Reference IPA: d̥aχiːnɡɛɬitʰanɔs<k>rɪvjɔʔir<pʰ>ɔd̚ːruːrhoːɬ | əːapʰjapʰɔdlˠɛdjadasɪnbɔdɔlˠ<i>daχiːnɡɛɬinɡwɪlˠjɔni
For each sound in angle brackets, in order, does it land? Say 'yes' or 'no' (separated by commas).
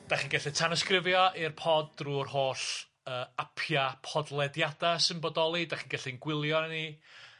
yes, yes, yes